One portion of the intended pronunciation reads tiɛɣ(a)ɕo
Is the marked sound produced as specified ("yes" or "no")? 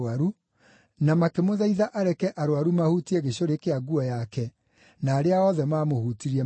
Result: no